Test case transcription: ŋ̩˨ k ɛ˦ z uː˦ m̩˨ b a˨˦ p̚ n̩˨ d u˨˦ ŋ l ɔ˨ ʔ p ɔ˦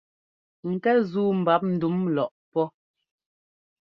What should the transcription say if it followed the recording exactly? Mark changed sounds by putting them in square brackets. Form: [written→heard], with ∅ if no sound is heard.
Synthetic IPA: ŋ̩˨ k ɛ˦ z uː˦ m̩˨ b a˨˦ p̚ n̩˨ d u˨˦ [ŋ→m] l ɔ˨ ʔ p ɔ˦